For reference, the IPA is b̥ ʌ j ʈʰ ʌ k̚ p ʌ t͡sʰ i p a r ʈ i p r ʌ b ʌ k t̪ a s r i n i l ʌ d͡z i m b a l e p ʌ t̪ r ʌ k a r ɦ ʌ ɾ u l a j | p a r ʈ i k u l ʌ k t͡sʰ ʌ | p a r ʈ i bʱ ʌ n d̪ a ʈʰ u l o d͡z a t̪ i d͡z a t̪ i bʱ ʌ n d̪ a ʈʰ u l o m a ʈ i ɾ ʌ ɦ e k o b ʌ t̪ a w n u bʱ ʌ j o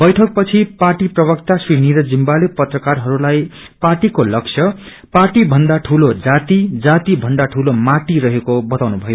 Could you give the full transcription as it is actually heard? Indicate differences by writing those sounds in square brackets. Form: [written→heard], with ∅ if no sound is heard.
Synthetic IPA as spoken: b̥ ʌ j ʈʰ ʌ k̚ p ʌ t͡sʰ i p a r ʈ i p r ʌ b ʌ k t̪ a s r i n i [l→ɾ] ʌ d͡z i m b a l e p ʌ t̪ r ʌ k a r ɦ ʌ ɾ u l a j | p a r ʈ i k [u→o] l ʌ k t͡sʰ ʌ | p a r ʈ i bʱ ʌ n d̪ a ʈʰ u l o d͡z a t̪ i d͡z a t̪ i bʱ ʌ n d̪ a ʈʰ u l o m a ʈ i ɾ ʌ ɦ e k o b ʌ t̪ a w n u bʱ ʌ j o